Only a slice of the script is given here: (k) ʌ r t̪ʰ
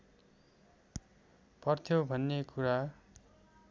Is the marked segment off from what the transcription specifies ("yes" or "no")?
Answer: yes